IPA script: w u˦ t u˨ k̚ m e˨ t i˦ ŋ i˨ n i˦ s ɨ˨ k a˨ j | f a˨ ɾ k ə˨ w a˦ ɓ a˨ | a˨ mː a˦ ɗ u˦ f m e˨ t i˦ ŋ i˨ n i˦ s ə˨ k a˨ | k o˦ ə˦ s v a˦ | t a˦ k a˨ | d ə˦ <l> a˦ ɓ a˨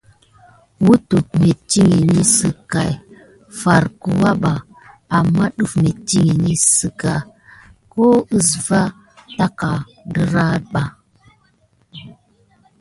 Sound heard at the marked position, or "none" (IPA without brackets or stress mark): ɾ